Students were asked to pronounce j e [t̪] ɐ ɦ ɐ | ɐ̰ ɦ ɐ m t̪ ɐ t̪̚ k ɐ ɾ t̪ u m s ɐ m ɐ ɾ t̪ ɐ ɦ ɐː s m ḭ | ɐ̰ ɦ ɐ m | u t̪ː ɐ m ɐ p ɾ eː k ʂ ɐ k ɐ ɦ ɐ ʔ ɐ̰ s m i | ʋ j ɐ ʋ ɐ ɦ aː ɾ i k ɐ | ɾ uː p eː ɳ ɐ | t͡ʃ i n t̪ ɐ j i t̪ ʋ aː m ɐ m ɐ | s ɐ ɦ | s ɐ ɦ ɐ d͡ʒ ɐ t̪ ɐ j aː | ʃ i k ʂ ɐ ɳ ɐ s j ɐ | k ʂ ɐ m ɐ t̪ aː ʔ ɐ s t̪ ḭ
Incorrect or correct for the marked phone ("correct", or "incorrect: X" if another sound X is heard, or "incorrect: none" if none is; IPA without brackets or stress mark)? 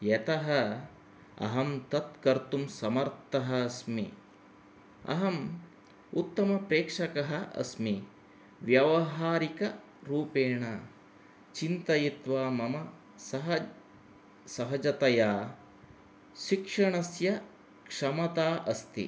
correct